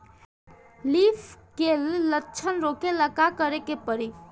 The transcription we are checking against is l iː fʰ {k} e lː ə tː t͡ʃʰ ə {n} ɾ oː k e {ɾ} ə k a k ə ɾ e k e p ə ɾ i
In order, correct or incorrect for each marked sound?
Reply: correct, correct, incorrect: l

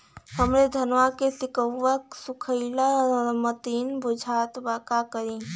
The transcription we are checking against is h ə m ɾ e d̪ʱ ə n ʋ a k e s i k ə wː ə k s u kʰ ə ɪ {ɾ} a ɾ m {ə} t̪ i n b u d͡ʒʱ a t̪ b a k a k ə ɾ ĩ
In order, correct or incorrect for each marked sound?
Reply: incorrect: l, correct

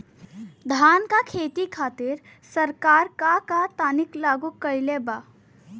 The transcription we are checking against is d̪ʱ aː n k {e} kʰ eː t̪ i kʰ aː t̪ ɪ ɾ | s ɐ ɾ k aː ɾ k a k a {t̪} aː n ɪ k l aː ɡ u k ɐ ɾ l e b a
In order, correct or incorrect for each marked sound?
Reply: incorrect: a, correct

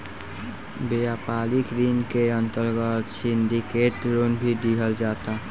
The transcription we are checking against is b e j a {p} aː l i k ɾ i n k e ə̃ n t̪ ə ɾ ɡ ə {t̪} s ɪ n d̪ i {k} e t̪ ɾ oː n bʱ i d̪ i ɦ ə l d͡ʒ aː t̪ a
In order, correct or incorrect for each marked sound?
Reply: correct, correct, correct

